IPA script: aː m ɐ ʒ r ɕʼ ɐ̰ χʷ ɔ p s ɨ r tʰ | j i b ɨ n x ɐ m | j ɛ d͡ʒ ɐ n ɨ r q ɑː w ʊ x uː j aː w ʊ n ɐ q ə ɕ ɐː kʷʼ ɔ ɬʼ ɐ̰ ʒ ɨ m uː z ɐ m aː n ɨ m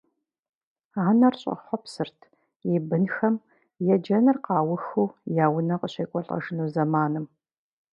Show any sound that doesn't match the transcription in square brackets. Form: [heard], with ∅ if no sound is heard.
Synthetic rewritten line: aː [n] ɐ [∅] r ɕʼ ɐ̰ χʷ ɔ p s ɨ r tʰ | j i b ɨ n x ɐ m | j ɛ d͡ʒ ɐ n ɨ r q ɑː w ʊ x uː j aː w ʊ n ɐ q ə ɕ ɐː kʷʼ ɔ ɬʼ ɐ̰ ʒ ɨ [n] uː z ɐ m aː n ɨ m